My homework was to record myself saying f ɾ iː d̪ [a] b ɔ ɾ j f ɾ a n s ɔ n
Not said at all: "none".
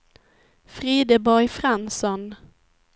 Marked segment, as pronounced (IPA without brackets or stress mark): ə